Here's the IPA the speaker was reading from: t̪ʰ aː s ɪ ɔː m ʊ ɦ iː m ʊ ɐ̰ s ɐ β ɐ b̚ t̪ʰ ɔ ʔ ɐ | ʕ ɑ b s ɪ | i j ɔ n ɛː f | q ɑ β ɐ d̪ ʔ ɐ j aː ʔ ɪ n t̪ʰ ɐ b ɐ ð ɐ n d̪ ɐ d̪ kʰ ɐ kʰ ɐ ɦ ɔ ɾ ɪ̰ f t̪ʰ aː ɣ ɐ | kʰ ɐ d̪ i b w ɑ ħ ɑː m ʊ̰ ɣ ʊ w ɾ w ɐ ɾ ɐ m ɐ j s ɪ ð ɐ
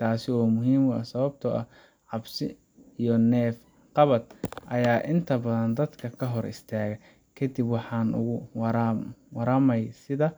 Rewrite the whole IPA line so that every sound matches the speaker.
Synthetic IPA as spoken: t̪ʰ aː s ɪ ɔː m ʊ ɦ iː m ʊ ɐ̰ s ɐ β ɐ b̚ t̪ʰ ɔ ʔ ɐ | ʕ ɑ b s ɪ | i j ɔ n ɛː f | q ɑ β ɐ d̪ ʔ ɐ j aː ʔ ɪ n t̪ʰ ɐ b ɐ ð ɐ n d̪ ɐ d̪ kʰ ɐ kʰ ɐ ɦ ɔ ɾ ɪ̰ s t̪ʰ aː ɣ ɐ | kʰ ɐ d̪ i b w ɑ ħ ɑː n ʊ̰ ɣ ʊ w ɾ w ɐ ɾ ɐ m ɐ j s ɪ ð ɐ

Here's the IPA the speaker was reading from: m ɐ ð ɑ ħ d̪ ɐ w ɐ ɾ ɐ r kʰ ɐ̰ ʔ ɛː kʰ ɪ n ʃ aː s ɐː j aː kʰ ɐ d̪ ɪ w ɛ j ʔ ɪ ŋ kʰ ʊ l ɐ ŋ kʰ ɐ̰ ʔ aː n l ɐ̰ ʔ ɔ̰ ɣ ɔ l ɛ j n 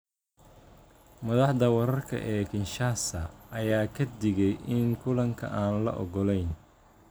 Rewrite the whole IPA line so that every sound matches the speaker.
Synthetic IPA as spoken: m ɐ ð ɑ ħ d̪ ɐ w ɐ ɾ ɐ r kʰ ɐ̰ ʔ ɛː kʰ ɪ n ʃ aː s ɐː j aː kʰ ɐ d̪ ɪ ɣ ɛ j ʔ ɪ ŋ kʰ ʊ l ɐ ŋ kʰ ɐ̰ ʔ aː n l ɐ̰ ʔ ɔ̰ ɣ ɔ l ɛ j n

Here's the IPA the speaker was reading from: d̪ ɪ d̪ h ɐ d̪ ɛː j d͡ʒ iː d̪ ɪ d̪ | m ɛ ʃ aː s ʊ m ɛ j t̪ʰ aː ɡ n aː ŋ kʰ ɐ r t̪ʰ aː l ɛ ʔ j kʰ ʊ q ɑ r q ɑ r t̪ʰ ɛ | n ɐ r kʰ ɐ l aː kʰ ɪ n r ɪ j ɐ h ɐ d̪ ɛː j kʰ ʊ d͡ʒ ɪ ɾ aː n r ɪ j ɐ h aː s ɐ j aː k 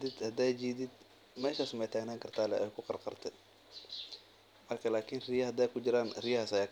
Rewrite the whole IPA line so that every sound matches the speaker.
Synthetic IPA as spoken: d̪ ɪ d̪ h ɐ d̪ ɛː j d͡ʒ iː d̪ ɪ d̪ | m ɛː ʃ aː s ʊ m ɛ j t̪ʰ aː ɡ n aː ŋ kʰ ɐ r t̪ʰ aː l ɛ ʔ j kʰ ʊ q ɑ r q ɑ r t̪ʰ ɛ | m ɐ r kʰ ɐ l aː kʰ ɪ n r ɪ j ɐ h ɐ d̪ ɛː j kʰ ʊ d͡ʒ ɪ ɾ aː n r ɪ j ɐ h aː s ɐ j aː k

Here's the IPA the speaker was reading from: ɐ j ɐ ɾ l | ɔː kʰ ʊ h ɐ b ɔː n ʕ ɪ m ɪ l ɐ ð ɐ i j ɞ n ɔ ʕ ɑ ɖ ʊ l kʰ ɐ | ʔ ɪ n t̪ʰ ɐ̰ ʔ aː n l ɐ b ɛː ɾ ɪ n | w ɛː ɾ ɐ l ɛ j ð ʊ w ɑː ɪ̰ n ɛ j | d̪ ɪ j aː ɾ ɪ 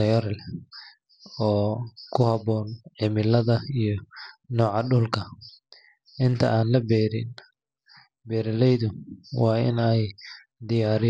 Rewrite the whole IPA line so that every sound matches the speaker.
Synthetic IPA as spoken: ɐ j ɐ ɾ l | ɔː kʰ ʊ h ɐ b ɔː n ʕ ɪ m ɪ l ɐ ð ɐ i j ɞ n ɔː ʕ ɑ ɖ ʊ l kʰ ɐ | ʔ ɪ n t̪ʰ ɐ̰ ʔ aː n l ɐ b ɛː ɾ ɪ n | b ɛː ɾ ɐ l ɛ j ð ʊ w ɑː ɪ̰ n ɛ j | d̪ ɪ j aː ɾ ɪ

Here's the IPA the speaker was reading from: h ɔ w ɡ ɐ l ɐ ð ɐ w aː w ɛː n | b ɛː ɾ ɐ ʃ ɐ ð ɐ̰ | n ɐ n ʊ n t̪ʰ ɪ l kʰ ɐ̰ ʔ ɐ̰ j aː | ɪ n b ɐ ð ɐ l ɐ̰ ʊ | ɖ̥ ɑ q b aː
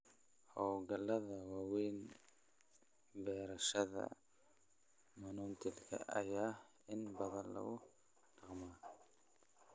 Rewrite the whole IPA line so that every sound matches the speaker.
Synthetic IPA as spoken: h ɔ w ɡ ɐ l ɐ ð ɐ w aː w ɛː n | b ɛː ɾ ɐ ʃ ɐ ð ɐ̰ | m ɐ n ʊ n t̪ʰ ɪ l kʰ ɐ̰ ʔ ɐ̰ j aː | ɪ n b ɐ ð ɐ l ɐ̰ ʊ | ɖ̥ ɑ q m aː

